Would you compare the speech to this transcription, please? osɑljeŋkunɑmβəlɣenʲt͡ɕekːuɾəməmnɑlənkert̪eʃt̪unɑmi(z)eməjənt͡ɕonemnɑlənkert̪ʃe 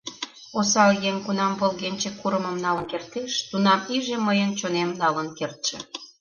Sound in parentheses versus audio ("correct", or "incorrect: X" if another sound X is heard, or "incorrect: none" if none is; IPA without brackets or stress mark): incorrect: ʒ